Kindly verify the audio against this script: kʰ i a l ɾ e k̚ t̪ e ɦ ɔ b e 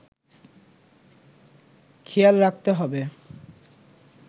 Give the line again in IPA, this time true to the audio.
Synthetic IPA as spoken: kʰ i a l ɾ a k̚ t̪ e ɦ ɔ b e